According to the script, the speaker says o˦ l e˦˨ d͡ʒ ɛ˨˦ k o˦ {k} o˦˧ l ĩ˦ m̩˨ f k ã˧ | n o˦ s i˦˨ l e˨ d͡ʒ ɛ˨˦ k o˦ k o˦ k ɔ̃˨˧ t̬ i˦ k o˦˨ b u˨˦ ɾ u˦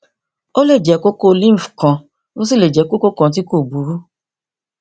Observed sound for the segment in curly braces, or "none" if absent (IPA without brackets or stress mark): k